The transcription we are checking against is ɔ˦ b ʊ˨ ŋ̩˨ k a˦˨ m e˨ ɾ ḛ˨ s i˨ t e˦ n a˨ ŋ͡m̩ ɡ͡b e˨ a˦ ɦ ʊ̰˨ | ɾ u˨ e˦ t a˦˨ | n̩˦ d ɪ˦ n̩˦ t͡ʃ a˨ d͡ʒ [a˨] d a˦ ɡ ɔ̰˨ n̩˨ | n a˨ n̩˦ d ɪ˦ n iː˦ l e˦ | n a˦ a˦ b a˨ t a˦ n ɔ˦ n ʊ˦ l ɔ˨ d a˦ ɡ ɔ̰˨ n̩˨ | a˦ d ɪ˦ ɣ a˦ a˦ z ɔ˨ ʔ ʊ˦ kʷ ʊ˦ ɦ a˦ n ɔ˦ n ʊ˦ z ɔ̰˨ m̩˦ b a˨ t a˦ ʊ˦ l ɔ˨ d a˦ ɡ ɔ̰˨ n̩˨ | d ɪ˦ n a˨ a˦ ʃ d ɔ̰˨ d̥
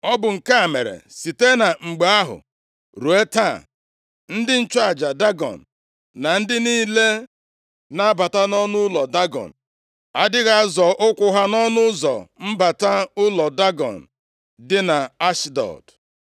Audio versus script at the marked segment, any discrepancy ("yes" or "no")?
no